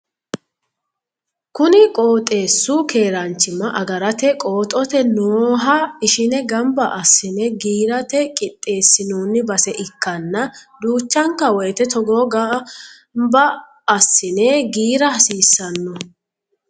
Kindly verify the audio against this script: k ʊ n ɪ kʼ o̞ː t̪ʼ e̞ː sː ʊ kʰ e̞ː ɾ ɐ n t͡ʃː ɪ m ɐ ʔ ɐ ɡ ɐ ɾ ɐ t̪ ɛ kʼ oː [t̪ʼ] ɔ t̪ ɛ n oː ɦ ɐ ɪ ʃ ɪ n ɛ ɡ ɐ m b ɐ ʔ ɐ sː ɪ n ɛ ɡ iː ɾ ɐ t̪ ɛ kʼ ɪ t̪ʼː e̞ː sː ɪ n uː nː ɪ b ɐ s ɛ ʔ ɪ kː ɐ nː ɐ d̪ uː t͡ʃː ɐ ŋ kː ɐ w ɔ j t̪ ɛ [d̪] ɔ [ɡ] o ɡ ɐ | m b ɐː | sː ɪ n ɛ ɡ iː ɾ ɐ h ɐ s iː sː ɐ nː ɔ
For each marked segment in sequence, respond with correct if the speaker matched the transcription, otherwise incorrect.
correct, incorrect: t̪, correct

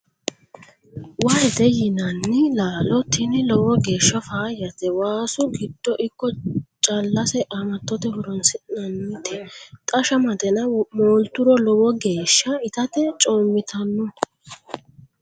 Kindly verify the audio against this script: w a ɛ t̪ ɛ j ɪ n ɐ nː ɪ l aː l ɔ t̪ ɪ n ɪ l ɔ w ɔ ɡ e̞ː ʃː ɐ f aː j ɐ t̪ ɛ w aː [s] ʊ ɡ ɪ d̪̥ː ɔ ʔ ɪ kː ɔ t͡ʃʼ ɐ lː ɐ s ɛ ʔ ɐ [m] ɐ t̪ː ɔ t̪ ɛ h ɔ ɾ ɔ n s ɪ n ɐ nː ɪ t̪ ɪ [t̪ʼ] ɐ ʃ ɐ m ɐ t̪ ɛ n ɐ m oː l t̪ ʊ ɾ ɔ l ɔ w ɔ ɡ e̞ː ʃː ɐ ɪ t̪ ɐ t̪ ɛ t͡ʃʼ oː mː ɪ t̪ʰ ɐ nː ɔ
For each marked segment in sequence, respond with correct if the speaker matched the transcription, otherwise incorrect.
correct, correct, correct

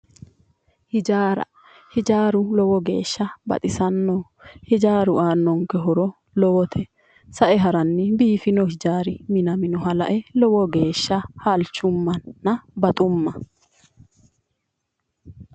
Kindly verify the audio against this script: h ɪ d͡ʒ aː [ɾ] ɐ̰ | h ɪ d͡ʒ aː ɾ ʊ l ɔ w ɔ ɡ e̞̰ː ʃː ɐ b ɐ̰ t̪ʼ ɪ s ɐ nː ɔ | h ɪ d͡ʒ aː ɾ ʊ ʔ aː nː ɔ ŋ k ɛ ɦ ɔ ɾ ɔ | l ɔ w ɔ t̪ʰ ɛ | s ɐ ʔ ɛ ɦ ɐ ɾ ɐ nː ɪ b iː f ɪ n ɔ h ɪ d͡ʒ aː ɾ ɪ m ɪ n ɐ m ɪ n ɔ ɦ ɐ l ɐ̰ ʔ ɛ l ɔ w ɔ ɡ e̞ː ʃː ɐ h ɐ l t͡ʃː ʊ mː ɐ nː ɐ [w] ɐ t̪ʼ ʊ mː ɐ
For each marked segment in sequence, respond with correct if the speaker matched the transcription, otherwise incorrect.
correct, incorrect: b

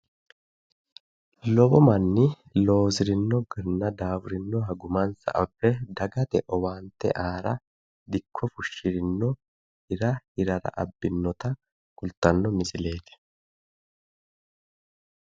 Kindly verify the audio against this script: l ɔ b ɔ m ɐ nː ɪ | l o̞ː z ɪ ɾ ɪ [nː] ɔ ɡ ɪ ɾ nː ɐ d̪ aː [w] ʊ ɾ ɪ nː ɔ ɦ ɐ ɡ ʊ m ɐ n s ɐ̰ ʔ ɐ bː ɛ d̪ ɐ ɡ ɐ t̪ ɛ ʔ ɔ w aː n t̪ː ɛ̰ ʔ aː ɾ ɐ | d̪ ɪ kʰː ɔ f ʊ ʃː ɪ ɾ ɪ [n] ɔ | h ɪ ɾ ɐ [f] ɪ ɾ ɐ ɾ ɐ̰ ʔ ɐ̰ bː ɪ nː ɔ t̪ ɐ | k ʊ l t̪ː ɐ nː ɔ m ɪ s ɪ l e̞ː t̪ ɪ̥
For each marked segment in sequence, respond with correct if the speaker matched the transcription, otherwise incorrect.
correct, correct, incorrect: nː, incorrect: h

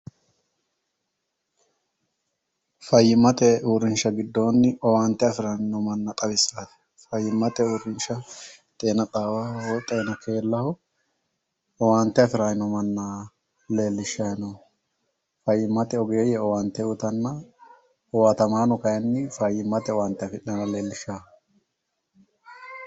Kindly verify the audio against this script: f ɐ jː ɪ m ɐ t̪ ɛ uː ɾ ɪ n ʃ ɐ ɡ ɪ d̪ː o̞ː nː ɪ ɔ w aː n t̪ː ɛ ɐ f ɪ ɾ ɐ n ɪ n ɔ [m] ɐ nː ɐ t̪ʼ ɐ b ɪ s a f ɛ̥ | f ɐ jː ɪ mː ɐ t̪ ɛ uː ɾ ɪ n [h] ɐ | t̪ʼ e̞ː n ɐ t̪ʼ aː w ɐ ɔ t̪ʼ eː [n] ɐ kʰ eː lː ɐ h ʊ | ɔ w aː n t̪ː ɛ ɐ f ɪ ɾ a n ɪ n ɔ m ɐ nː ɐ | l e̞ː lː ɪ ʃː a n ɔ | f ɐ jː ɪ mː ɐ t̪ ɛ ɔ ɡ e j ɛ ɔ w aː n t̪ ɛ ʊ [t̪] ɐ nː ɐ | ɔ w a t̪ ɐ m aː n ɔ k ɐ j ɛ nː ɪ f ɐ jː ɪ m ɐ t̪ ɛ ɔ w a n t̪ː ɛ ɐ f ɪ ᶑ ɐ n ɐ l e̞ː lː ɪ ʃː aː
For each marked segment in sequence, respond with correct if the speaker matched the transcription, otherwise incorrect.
correct, incorrect: ʃ, correct, correct

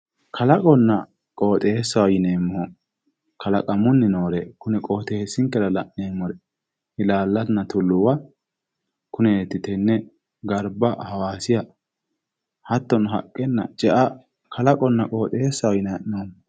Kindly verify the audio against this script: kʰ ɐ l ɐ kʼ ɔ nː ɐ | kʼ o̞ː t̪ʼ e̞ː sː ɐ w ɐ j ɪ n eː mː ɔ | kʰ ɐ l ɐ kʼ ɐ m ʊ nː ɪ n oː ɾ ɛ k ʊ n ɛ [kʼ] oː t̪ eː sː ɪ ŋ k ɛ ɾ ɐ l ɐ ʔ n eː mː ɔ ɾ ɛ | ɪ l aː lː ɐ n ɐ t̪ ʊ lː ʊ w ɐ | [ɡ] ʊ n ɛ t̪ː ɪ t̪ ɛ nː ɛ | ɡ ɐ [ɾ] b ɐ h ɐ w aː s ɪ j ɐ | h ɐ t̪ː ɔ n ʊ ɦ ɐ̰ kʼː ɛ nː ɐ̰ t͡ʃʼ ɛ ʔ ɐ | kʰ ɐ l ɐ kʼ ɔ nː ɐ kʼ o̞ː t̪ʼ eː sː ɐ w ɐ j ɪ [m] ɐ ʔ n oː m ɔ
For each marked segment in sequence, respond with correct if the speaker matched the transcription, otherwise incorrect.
correct, incorrect: k, correct, incorrect: n

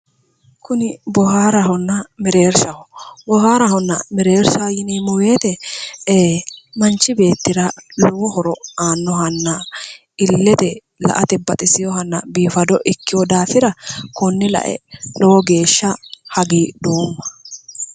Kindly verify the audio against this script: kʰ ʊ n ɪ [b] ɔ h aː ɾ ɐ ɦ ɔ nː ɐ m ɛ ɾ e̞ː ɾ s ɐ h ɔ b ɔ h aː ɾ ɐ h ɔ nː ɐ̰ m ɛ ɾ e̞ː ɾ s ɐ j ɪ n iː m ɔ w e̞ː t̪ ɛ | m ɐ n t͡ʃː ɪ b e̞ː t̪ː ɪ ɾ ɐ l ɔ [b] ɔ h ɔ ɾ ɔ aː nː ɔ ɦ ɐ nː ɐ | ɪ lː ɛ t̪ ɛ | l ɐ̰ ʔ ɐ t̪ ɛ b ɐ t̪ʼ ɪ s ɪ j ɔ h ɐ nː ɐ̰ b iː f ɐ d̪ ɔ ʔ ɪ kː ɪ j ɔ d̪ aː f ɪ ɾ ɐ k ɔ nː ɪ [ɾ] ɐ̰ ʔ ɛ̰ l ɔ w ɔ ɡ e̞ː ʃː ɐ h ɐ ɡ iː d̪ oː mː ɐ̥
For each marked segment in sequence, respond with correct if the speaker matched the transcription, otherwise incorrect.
correct, incorrect: w, incorrect: l

